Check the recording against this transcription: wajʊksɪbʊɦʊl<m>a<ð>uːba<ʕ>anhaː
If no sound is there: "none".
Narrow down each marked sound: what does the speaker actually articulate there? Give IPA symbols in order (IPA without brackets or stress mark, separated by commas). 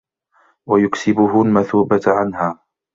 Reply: m, θ, ʕ